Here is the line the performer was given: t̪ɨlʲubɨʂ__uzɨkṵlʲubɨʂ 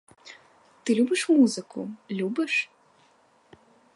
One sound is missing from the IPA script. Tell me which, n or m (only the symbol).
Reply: m